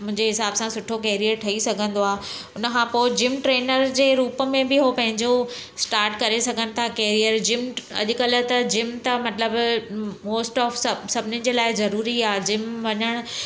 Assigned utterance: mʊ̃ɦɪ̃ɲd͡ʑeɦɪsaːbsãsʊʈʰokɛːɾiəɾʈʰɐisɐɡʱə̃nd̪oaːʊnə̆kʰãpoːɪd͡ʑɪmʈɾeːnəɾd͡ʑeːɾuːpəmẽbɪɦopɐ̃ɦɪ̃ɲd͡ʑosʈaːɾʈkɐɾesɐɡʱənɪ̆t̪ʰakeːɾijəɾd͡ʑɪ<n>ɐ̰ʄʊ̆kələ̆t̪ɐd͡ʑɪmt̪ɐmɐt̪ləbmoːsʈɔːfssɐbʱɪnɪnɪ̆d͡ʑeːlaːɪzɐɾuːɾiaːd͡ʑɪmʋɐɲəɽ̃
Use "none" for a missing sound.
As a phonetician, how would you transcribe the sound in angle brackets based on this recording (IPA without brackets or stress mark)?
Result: m